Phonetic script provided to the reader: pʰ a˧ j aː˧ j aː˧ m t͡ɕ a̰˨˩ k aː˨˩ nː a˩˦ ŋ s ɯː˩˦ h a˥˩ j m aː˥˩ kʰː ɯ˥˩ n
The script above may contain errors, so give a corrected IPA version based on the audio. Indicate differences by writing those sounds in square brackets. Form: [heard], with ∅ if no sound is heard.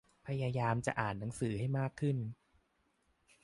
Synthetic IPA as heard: pʰ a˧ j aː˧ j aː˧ m t͡ɕ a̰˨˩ [ʔ] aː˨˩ nː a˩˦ ŋ s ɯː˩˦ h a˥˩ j m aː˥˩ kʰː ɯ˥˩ n